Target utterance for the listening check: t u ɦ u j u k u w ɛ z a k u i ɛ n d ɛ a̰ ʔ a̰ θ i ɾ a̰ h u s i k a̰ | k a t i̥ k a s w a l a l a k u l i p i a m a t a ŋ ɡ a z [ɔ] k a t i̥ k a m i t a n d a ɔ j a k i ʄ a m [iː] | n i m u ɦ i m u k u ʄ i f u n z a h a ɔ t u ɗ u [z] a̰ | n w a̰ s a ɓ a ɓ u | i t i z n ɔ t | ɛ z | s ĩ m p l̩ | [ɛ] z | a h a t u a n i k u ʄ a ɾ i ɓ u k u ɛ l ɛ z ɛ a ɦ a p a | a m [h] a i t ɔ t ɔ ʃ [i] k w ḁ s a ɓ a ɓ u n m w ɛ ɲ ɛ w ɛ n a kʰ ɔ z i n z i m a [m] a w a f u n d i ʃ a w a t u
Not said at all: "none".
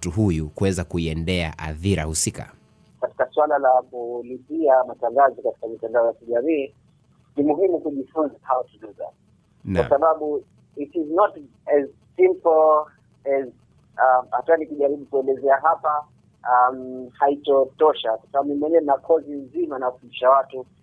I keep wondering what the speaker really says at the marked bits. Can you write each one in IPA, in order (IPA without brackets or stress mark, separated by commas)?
ɔ, iː, z, ɛ, h, a, n